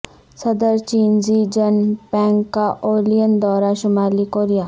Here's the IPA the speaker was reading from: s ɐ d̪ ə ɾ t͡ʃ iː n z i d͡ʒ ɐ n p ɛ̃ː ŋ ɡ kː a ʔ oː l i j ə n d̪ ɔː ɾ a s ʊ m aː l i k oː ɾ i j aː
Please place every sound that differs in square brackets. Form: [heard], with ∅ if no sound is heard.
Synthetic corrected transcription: s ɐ d̪ ə ɾ t͡ʃ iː n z i d͡ʒ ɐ n p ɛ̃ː ŋ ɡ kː a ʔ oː l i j ə n d̪ ɔː ɾ a [ʃ] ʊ m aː l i k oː ɾ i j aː